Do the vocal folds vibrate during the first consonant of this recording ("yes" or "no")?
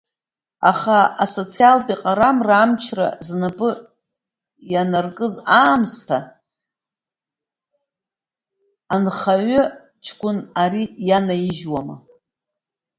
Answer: no